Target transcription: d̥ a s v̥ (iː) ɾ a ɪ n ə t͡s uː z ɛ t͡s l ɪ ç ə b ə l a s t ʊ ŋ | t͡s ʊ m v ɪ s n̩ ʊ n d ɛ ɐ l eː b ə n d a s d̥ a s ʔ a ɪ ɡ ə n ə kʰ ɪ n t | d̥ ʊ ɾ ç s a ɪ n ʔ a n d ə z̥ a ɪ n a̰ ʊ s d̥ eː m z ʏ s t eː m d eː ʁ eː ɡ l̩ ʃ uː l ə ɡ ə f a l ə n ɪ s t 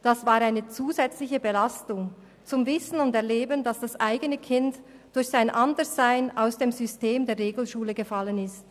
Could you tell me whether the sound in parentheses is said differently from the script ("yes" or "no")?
yes